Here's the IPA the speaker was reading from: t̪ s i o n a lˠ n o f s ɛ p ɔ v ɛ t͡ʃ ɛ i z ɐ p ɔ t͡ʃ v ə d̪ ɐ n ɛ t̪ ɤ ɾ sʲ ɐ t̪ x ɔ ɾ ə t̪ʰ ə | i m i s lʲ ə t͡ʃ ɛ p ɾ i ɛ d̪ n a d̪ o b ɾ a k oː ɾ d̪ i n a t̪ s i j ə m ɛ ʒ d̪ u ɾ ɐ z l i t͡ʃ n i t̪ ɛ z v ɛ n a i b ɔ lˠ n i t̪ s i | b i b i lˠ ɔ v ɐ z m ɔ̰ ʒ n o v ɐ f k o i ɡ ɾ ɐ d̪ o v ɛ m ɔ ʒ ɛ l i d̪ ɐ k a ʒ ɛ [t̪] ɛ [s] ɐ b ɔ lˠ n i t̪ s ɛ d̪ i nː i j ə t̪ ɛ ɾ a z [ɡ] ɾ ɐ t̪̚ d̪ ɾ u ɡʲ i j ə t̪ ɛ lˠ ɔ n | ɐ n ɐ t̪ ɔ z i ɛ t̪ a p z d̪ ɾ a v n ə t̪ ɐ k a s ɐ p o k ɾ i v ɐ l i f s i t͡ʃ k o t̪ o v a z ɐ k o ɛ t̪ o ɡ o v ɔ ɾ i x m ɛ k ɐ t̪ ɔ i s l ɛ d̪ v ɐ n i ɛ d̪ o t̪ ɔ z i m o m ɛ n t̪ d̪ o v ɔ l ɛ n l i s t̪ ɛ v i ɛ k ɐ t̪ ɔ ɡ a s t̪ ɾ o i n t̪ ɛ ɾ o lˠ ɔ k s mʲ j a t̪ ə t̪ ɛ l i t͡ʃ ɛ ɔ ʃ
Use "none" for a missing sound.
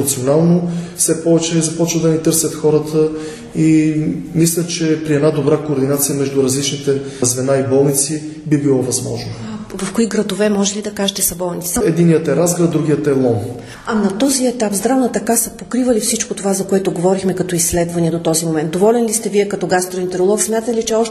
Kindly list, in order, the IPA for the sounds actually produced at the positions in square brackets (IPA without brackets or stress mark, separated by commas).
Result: t̪, s, ɡ